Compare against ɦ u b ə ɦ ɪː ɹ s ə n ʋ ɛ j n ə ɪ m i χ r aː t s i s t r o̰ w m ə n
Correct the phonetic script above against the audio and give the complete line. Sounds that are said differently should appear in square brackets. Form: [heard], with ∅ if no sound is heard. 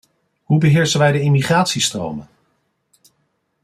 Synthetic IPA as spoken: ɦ u b ə ɦ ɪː ɹ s ə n ʋ ɛ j [d] ə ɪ m i χ r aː t s i s t r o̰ w m ə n